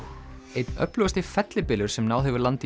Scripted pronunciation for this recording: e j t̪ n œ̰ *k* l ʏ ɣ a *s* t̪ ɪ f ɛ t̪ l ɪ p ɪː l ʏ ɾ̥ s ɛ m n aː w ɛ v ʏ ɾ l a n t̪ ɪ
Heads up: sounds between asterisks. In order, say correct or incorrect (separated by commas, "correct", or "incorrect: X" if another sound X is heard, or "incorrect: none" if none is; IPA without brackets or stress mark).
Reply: incorrect: p, correct